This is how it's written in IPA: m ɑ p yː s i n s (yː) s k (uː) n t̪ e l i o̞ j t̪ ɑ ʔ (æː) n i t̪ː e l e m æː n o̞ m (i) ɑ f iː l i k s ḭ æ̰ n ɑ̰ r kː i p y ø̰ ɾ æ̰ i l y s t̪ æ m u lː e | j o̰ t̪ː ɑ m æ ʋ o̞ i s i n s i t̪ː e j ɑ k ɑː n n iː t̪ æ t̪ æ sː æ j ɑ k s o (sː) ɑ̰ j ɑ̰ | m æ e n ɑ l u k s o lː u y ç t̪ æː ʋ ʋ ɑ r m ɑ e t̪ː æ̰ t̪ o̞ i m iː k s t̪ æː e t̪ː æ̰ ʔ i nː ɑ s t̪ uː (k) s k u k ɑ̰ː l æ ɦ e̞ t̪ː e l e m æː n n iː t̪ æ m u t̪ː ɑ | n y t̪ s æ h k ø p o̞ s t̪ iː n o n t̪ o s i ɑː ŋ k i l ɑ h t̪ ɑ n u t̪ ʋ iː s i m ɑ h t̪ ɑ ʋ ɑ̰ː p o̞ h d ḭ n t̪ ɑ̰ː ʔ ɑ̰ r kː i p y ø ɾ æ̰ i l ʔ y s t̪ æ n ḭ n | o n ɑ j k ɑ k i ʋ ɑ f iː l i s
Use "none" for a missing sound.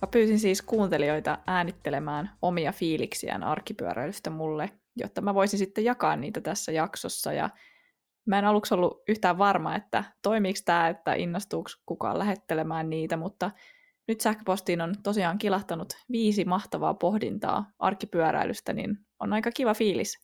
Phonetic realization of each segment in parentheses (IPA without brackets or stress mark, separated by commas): iː, uː, æː, i, sː, k